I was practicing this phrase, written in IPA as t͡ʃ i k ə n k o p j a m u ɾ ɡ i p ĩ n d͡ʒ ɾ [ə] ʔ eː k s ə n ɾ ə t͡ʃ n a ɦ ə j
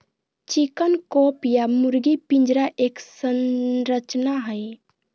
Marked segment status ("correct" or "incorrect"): incorrect